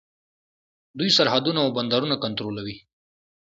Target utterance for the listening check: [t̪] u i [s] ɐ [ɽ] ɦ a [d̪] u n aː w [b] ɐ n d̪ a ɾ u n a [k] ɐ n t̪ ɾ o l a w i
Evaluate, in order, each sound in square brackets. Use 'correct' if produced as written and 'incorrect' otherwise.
incorrect, correct, incorrect, correct, correct, correct

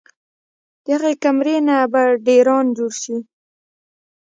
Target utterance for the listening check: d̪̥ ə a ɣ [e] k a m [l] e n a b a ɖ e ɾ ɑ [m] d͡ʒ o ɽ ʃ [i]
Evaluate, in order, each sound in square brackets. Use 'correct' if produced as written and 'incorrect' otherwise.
correct, incorrect, incorrect, correct

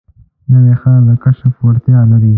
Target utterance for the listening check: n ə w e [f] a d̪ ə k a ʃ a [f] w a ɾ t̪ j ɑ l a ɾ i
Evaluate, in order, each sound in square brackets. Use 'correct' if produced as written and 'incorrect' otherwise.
incorrect, correct

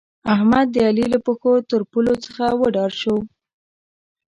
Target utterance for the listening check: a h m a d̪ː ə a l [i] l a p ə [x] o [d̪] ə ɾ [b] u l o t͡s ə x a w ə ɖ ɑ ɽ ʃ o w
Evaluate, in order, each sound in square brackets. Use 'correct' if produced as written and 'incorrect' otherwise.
correct, correct, incorrect, incorrect

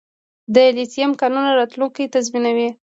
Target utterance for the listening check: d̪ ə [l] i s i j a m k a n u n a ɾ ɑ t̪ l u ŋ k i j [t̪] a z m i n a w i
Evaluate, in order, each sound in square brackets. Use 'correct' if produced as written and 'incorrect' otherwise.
correct, correct

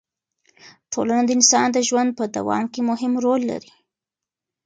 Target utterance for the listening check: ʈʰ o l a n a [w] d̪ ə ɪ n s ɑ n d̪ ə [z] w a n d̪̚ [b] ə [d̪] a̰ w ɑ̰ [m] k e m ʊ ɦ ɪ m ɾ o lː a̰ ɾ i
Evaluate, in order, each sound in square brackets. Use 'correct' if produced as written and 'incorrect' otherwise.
incorrect, incorrect, incorrect, correct, correct

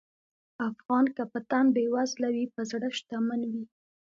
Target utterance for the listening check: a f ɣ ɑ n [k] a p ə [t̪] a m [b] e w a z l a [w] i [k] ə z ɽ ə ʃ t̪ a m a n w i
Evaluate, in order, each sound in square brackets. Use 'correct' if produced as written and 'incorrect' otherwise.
correct, correct, correct, correct, incorrect

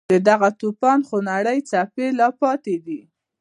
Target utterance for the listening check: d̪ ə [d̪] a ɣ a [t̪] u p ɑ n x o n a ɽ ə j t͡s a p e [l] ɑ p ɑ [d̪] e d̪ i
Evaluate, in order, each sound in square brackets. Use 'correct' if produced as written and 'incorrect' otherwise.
correct, correct, correct, incorrect

